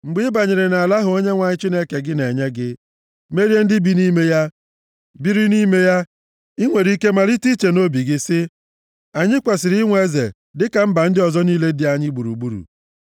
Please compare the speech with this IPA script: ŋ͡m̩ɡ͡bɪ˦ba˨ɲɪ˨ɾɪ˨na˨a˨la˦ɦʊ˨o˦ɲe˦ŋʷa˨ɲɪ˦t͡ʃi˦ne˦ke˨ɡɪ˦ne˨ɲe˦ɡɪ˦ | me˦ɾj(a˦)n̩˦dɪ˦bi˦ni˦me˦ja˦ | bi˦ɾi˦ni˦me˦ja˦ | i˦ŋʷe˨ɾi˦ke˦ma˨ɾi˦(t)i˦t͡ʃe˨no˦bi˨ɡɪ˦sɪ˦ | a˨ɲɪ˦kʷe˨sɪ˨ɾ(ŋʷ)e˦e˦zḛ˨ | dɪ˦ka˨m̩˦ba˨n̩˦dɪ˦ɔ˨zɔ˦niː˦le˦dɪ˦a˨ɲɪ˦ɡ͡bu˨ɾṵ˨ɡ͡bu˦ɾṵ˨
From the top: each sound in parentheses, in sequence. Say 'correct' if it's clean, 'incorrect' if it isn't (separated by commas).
incorrect, correct, correct